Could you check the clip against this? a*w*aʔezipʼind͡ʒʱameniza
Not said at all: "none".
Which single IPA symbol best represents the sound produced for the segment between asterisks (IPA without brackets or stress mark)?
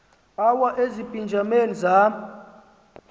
w